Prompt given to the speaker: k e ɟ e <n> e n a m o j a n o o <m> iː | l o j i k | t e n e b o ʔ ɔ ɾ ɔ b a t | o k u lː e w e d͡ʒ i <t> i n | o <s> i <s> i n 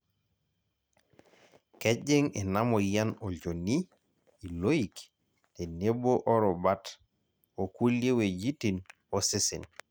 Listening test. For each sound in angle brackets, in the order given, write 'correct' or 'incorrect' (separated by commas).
incorrect, incorrect, correct, correct, correct